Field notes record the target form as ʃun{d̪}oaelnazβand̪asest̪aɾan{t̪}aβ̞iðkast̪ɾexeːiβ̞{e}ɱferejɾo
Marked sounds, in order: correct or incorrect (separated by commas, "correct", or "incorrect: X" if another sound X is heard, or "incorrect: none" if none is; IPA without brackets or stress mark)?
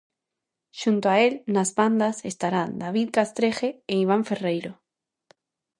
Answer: incorrect: t̪, incorrect: d̪, incorrect: a